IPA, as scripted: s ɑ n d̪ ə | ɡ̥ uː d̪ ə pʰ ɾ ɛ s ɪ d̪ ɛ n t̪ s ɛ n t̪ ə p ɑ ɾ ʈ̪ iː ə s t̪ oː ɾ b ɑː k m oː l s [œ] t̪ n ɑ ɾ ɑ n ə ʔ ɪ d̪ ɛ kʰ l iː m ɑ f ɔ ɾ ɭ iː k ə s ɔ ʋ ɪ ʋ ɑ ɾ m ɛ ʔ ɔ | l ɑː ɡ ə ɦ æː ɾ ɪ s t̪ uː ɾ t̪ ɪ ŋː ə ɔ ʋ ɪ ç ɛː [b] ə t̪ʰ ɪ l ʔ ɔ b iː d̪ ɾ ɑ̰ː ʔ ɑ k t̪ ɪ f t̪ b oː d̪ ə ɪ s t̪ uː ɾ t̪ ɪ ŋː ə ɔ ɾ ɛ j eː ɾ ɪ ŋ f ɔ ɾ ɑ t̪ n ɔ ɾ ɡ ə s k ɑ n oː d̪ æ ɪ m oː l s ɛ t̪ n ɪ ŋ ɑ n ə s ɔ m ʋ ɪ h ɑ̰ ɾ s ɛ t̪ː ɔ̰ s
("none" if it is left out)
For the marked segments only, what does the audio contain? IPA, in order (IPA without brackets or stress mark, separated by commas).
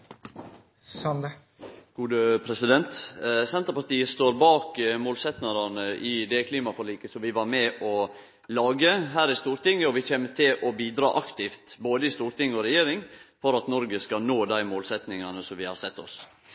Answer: ɛ, m